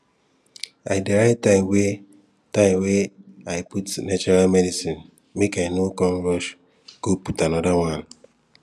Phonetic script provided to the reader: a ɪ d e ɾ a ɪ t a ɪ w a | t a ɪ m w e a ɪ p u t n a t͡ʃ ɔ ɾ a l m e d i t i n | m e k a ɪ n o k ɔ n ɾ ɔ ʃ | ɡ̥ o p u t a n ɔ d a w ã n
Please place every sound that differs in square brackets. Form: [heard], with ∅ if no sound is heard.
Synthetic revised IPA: a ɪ d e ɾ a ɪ t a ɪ w [e] | t a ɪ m w e a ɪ p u t n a t͡ʃ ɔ ɾ a l m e d i [s] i n | m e k a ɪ n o k ɔ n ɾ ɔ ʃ | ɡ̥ o p u t a n ɔ d a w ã n